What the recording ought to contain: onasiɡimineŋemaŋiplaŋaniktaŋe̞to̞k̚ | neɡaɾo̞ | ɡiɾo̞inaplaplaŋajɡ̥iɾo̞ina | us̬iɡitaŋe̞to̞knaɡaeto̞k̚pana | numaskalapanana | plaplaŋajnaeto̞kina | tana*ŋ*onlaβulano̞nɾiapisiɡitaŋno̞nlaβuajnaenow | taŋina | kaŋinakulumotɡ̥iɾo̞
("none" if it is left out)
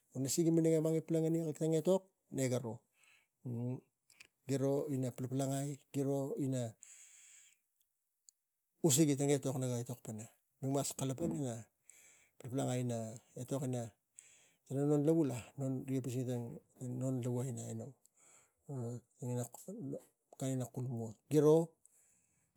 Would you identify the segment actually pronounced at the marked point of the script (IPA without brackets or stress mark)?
n